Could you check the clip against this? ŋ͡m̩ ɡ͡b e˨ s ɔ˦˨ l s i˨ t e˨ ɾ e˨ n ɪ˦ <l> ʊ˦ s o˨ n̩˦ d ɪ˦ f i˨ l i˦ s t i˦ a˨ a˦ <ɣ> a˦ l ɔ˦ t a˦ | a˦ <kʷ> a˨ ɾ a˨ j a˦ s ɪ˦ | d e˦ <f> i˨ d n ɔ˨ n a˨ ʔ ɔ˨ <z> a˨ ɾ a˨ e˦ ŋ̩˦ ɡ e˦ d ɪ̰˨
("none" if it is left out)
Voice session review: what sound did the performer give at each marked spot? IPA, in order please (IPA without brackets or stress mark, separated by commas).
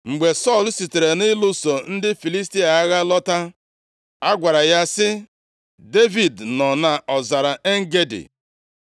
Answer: l, ɣ, ɡʷ, v, z